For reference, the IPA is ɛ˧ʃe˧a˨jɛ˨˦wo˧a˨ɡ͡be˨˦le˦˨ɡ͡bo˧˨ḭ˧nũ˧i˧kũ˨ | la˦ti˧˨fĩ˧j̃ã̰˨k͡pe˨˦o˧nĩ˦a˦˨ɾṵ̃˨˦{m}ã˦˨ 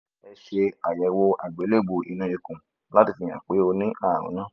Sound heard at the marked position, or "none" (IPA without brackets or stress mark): n